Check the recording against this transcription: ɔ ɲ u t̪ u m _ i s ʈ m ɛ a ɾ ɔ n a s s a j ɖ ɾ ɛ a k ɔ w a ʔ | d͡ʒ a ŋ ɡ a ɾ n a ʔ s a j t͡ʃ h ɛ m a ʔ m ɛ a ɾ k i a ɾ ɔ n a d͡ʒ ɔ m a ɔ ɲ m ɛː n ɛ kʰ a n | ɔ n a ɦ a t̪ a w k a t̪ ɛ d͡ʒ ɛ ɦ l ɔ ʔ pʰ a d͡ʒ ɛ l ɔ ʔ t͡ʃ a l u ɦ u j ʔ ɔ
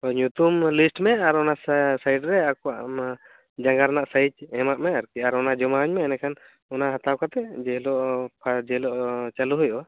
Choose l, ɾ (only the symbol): l